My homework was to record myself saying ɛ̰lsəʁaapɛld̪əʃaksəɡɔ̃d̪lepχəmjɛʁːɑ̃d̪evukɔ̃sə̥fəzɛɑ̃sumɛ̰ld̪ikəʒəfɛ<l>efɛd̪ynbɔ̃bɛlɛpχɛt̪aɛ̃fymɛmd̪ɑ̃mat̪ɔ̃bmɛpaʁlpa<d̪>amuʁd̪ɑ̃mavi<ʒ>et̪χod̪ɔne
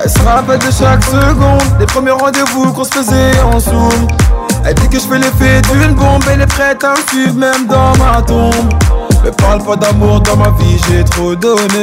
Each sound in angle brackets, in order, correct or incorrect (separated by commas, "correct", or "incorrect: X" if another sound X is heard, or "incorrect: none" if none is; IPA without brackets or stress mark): correct, correct, correct